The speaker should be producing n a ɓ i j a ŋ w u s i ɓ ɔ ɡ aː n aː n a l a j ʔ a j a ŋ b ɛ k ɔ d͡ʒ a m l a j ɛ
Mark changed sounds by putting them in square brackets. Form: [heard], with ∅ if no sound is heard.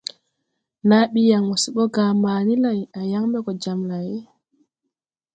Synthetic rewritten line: n a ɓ i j a ŋ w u s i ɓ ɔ ɡ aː [m] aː n [i] l a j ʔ a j a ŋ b ɛ k ɔ d͡ʒ a m l a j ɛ

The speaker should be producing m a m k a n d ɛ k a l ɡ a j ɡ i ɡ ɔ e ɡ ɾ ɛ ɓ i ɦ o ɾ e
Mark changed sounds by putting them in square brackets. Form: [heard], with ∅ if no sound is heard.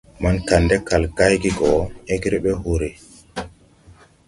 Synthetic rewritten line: m a [n] k a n d ɛ k a l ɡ a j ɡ i ɡ ɔ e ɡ ɾ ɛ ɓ [ɛ] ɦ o ɾ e

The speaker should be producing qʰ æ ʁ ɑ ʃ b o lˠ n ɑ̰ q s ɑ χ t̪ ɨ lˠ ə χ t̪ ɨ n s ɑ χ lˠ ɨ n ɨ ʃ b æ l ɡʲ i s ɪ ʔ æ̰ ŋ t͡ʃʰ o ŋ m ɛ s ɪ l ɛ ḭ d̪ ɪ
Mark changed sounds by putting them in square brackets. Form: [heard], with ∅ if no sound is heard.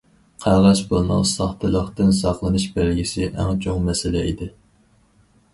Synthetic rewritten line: qʰ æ ʁ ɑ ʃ b o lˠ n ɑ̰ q s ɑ χ t̪ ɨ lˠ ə χ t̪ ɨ n s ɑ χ lˠ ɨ n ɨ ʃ b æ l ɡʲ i s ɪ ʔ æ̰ ŋ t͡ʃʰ o ŋ m ɛ s ɪ l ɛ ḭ d̪ ɪ

